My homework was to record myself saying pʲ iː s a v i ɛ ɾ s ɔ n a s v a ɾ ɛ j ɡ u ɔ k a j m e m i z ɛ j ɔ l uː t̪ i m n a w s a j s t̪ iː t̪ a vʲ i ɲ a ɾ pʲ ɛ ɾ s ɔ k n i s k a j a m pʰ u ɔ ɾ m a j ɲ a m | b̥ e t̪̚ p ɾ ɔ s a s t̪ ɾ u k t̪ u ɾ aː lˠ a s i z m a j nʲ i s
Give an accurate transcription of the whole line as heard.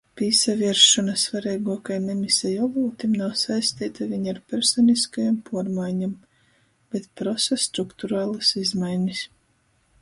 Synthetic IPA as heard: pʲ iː s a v i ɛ ɾ ʃ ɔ n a s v a ɾ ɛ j ɡ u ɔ k a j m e m i s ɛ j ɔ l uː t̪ i m n a w s a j s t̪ iː t̪ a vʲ i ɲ a ɾ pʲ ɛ ɾ s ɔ n i s k a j a m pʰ u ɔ ɾ m a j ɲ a m | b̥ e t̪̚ p ɾ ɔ s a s t̪ ɾ u k t̪ u ɾ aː lˠ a s i z m a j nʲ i s